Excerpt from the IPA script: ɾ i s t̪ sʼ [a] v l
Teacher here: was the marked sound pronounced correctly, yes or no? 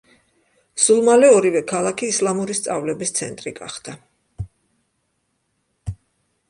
yes